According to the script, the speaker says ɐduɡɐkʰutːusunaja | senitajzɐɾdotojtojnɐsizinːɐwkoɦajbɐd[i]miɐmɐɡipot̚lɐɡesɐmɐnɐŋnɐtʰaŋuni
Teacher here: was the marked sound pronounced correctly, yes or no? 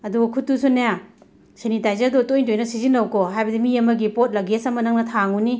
yes